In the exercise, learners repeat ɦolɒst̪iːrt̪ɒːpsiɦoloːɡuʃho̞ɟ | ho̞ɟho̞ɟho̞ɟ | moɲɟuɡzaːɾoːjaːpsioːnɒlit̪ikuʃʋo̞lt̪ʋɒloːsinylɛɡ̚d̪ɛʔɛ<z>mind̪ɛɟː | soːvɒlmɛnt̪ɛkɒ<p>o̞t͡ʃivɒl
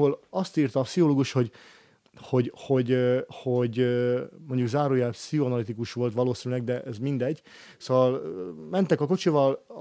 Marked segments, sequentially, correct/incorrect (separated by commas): correct, incorrect